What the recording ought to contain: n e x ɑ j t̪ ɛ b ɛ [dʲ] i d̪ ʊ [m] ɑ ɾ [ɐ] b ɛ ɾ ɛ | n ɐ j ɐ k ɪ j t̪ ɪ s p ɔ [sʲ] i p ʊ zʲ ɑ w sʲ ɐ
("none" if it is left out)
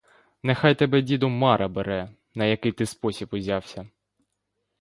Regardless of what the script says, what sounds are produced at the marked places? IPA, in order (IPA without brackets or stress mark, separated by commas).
dʲ, m, ɐ, sʲ